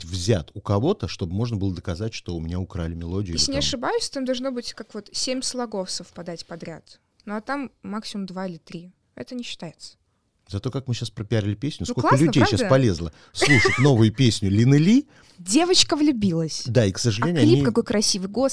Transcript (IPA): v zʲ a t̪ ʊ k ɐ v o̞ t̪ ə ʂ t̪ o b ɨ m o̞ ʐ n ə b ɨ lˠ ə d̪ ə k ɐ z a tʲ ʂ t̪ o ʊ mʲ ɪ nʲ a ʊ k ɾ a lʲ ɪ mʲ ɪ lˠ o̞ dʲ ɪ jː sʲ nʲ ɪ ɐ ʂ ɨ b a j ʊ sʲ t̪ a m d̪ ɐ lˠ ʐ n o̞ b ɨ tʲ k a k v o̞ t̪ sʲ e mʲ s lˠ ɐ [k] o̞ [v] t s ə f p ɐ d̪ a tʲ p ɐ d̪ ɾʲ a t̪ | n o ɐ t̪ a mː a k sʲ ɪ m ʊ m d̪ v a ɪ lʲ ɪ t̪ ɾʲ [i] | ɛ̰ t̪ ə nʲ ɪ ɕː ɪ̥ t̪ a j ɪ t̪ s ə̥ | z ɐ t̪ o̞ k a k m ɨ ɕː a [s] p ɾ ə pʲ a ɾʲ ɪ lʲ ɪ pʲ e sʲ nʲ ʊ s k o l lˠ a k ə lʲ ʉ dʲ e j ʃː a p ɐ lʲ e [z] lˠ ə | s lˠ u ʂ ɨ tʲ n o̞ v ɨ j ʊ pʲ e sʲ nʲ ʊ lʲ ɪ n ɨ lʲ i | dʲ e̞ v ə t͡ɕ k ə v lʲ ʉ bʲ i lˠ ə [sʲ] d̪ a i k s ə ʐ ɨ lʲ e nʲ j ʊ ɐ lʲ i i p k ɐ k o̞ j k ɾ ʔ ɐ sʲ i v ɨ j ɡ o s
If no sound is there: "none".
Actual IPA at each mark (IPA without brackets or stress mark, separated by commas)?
ɡ, f, i, s, z, sʲ